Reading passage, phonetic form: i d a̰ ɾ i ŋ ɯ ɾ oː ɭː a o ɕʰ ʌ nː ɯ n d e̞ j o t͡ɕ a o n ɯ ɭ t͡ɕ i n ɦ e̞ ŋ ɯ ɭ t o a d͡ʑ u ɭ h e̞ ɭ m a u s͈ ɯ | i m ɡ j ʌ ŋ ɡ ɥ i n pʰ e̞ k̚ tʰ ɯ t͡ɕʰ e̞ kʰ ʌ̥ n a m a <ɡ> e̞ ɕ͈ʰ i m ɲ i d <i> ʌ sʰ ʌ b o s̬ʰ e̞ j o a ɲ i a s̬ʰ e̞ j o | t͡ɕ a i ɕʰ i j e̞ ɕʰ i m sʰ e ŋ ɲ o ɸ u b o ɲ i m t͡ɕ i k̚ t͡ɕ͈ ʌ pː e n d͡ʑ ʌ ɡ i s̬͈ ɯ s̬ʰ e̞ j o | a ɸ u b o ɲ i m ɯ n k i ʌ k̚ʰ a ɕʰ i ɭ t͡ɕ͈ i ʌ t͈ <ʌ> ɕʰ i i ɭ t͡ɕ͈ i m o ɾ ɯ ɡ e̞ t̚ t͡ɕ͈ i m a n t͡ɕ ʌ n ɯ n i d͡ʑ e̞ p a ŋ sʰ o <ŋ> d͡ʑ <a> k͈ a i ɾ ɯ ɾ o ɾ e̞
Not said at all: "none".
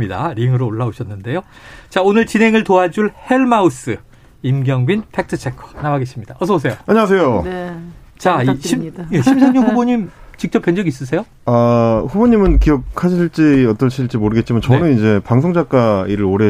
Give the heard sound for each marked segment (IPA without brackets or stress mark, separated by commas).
ɡ, a, ʌ, ŋ, a